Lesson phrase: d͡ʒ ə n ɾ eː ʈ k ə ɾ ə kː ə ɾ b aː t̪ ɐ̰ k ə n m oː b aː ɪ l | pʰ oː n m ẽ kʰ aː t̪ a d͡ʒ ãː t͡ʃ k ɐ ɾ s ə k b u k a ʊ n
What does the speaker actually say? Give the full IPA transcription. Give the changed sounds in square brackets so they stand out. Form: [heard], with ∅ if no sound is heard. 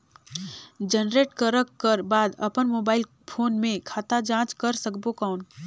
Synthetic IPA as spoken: d͡ʒ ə n ɾ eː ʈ k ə ɾ ə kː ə ɾ b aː [d̪] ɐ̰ [p] ə n m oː b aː ɪ l | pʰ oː n m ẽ kʰ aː t̪ a d͡ʒ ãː t͡ʃ k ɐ ɾ s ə k b [o] k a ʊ n